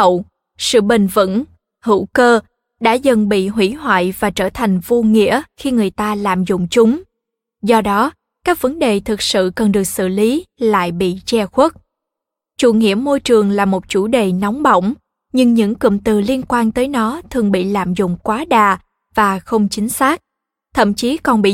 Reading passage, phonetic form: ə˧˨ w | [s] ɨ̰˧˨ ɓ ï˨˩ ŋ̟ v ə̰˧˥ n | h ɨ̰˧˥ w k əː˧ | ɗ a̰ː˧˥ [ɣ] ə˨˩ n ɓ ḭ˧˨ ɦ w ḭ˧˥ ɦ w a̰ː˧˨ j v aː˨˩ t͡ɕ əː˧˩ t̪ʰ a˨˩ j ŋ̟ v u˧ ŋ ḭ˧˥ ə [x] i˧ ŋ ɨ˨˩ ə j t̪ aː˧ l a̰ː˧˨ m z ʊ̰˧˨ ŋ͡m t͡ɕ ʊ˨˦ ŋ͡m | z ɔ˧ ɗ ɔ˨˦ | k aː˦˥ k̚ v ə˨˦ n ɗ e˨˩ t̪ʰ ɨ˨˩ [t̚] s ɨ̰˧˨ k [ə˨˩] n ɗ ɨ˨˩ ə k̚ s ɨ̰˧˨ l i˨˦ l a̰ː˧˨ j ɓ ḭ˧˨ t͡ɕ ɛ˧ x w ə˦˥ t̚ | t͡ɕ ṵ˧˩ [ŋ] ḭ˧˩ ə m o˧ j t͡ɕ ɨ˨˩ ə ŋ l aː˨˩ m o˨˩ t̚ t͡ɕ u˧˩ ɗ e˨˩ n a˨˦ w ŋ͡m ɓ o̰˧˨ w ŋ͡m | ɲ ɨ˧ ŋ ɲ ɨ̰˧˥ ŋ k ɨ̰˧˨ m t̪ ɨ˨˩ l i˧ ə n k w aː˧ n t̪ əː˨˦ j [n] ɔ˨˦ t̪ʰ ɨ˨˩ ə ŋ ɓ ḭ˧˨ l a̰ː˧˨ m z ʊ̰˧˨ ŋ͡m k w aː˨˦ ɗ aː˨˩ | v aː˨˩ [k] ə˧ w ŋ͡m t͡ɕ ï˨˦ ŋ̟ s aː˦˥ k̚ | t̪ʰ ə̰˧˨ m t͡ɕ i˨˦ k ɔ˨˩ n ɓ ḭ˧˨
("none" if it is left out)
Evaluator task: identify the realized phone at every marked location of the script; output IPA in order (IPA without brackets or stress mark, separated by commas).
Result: s, z, x, k̚, ə˨˩, ŋ, n, x